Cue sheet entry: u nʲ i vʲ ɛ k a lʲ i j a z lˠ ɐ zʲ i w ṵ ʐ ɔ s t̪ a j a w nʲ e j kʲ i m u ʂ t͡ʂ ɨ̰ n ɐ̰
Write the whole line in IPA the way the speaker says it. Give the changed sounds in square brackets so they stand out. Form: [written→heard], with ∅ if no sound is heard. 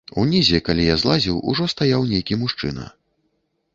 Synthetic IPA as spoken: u nʲ i [vʲ→zʲ] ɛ k a lʲ i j a z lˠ [ɐ→a] zʲ i w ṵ ʐ ɔ s t̪ a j a w nʲ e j kʲ i m u ʂ t͡ʂ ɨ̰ n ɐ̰